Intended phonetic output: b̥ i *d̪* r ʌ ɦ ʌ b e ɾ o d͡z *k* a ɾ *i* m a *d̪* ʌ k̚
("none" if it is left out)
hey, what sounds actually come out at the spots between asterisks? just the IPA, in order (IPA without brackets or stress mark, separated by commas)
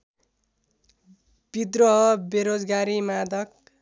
d̪, ɡ, i, d̪